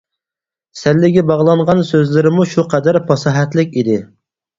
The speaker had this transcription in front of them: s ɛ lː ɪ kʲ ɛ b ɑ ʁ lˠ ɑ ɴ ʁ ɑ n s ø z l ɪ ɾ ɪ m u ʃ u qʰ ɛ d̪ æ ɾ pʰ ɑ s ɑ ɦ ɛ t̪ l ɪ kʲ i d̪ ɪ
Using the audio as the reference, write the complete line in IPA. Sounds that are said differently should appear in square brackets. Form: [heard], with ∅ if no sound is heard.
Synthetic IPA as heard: s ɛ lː ɪ [ɡʲ] ɛ b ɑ ʁ lˠ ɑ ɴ ʁ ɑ n s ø z l ɪ ɾ ɪ m u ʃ u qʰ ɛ d̪ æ ɾ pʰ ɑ s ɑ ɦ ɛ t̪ l ɪ kʲ i d̪ ɪ

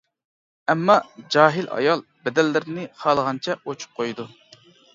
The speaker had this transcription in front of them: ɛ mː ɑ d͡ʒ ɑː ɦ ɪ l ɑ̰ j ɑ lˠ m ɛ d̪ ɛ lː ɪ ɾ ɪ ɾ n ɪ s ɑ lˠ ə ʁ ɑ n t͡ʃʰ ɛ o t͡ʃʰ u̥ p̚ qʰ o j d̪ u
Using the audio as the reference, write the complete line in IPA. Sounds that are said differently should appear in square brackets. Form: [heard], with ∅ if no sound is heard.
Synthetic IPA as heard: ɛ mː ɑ d͡ʒ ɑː ɦ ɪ l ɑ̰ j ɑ lˠ [b] ɛ d̪ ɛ lː ɪ ɾ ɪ [∅] n ɪ [χ] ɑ lˠ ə ʁ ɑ n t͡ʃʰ ɛ o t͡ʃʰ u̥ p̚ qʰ o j d̪ u

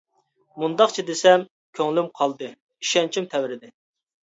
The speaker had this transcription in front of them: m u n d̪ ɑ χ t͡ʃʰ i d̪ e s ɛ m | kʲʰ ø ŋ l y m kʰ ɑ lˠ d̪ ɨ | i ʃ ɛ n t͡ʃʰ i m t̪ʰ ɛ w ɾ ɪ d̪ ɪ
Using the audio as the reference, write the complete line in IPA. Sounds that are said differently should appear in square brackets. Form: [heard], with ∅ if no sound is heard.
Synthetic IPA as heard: m u n d̪ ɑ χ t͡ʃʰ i d̪ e s ɛ m | kʲʰ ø ŋ l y m [qʰ] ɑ lˠ d̪ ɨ | i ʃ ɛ n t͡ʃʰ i m t̪ʰ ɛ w ɾ ɪ d̪ ɪ

